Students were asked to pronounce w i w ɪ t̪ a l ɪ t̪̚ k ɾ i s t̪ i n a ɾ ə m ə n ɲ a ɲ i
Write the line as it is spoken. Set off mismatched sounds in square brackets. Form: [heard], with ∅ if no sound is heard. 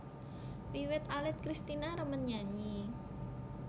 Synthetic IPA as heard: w i w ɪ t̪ a l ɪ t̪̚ k ɾ i s t̪ i n a ɾ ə m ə n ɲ a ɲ i